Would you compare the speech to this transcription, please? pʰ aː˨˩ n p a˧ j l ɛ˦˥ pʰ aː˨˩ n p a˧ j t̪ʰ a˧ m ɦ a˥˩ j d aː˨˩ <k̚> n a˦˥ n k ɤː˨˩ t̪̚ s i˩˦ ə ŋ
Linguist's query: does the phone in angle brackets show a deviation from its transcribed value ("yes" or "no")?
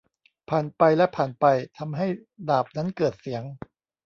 yes